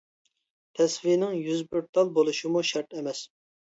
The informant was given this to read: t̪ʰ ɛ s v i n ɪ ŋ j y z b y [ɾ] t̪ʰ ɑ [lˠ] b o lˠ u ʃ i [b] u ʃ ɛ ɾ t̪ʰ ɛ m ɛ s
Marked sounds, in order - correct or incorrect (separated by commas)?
correct, correct, incorrect